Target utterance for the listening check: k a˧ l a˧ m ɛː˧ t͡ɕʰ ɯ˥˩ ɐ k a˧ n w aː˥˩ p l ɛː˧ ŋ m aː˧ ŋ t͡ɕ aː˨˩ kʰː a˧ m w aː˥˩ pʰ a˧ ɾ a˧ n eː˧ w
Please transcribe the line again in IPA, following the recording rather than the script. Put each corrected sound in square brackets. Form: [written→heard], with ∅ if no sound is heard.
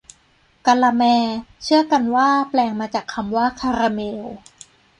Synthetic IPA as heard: k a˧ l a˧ m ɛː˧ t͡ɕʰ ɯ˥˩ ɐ k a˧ n w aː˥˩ p l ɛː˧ ŋ m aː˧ [ŋ→∅] t͡ɕ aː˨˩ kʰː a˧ m w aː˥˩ [pʰ→kʰ] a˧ ɾ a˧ [n→m] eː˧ w